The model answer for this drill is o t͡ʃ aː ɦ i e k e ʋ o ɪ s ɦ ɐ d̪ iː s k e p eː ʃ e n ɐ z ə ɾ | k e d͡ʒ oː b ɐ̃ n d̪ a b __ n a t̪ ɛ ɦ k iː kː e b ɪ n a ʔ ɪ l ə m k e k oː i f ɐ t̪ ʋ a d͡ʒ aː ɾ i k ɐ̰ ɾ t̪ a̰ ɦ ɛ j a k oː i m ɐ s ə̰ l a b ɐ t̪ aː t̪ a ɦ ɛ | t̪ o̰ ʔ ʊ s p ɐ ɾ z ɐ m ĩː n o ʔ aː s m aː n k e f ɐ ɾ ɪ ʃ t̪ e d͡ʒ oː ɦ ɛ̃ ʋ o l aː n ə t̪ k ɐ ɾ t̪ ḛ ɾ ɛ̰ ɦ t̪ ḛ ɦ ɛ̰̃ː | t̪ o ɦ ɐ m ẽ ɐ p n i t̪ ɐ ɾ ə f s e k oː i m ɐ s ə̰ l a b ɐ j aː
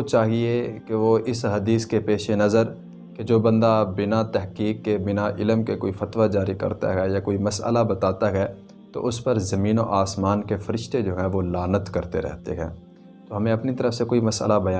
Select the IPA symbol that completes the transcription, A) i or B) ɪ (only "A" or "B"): B